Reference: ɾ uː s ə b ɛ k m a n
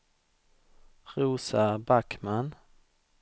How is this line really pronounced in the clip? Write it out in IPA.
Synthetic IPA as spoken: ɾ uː s a b a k m a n